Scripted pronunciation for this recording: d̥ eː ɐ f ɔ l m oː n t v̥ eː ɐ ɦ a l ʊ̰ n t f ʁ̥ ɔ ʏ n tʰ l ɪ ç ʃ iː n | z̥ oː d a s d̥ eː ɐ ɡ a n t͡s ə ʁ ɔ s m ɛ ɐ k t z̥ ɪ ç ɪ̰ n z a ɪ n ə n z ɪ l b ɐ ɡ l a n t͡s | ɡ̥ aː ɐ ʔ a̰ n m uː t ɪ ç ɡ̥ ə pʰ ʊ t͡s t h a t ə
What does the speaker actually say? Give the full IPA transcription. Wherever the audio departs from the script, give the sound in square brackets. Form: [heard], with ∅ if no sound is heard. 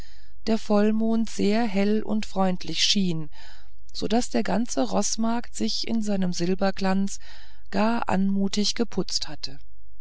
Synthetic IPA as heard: d̥ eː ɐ f ɔ l m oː n t [z̥] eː ɐ ɦ [ɛ] l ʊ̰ n t f ʁ̥ ɔ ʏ n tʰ l ɪ ç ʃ iː n | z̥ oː d a s d̥ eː ɐ ɡ a n t͡s ə ʁ ɔ s m [a] ɐ k t z̥ ɪ ç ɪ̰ n z a ɪ n ə [m] z ɪ l b ɐ ɡ l a n t͡s | ɡ̥ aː ɐ ʔ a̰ n m uː t ɪ ç ɡ̥ ə pʰ ʊ t͡s t h a t ə